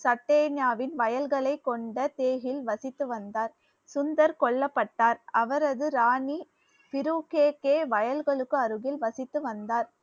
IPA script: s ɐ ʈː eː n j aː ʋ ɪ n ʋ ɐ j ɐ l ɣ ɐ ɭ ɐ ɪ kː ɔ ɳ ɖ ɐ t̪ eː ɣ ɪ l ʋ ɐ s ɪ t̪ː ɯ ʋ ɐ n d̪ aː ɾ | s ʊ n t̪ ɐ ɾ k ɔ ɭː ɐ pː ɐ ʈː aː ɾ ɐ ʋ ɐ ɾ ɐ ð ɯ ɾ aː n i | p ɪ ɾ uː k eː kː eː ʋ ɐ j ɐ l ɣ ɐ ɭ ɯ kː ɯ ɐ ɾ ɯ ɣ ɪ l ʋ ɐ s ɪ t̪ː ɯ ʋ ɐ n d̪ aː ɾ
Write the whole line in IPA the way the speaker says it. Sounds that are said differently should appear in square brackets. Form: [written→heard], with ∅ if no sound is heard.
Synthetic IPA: s ɐ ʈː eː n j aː ʋ ɪ n ʋ ɐ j ɐ l ɣ ɐ ɭ ɐ ɪ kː ɔ ɳ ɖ ɐ t̪ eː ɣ ɪ l ʋ ɐ s ɪ t̪ː ɯ ʋ ɐ n d̪ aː ɾ | s ʊ n [t̪→d̪] ɐ ɾ k ɔ ɭː ɐ pː ɐ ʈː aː ɾ ɐ ʋ ɐ ɾ ɐ ð ɯ ɾ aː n i | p ɪ ɾ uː k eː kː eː ʋ ɐ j ɐ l ɣ ɐ ɭ ɯ kː ɯ ɐ ɾ ɯ ɣ ɪ l ʋ ɐ s ɪ t̪ː ɯ ʋ ɐ n d̪ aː ɾ

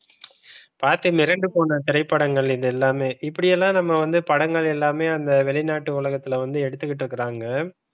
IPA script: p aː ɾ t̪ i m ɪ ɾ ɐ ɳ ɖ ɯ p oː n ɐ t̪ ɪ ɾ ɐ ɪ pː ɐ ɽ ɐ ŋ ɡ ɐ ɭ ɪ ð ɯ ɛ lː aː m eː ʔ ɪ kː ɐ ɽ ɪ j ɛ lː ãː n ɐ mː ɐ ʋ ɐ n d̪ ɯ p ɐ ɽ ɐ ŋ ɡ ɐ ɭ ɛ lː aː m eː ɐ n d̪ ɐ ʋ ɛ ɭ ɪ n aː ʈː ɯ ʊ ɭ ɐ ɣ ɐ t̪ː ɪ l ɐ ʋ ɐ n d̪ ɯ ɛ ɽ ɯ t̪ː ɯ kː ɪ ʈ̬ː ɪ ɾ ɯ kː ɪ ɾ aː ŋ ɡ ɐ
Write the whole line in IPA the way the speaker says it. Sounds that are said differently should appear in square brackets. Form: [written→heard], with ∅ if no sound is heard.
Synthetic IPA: p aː ɾ t̪ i m ɪ ɾ ɐ ɳ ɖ ɯ p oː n ɐ t̪ ɪ ɾ ɐ ɪ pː ɐ ɽ ɐ ŋ ɡ ɐ ɭ ɪ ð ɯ ɛ lː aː m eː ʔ ɪ [kː→pː] ɐ ɽ ɪ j ɛ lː ãː n ɐ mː ɐ ʋ ɐ n d̪ ɯ p ɐ ɽ ɐ ŋ ɡ ɐ ɭ ɛ lː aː m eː ɐ n d̪ ɐ ʋ ɛ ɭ ɪ n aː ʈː ɯ ʊ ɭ ɐ ɣ ɐ t̪ː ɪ l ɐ ʋ ɐ n d̪ ɯ ɛ ɽ ɯ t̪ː ɯ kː ɪ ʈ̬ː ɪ ɾ ɯ kː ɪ ɾ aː ŋ ɡ ɐ

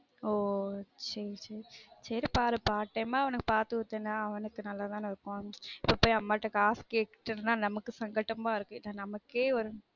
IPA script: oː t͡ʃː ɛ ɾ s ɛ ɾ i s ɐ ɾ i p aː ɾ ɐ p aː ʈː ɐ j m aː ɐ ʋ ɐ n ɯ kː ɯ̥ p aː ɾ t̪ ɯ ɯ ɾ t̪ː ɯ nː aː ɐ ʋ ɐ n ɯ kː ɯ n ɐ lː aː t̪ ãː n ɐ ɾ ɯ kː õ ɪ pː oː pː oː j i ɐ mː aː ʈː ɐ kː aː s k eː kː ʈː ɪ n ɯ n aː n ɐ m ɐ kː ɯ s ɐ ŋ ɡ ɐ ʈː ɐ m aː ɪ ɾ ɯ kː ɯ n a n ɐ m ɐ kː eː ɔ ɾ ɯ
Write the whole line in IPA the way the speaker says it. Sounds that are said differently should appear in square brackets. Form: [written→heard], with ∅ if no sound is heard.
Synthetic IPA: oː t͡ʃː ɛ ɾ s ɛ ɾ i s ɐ ɾ i p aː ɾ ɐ p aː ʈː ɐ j m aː ɐ ʋ ɐ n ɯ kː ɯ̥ p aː ɾ t̪ ɯ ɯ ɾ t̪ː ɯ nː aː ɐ ʋ ɐ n ɯ kː ɯ n ɐ lː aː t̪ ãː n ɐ ɾ ɯ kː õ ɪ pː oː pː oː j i ɐ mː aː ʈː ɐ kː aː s k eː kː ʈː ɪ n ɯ n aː n ɐ m ɐ kː ɯ s ɐ ŋ ɡ ɐ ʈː ɐ m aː ɪ ɾ ɯ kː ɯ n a n ɐ m ɐ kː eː ɔ ɾ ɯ

